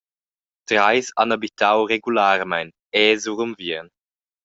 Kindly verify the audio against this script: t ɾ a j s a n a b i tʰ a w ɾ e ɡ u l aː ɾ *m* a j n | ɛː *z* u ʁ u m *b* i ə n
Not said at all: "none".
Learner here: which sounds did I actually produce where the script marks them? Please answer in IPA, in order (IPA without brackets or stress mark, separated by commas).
m, z, v